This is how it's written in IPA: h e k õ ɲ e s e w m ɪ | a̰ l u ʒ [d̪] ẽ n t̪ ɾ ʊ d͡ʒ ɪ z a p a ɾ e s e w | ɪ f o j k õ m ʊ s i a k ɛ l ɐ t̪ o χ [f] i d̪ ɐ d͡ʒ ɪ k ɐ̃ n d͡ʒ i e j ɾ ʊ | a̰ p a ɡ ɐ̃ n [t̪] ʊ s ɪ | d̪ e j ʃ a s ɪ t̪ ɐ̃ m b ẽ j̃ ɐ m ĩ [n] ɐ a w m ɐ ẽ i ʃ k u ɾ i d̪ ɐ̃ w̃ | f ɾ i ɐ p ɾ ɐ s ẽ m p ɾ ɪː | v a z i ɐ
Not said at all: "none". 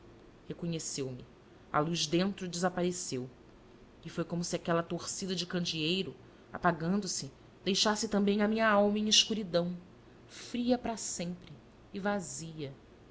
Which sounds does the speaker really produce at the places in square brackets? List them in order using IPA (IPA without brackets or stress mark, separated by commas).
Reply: d̪, s, d̪, ɲ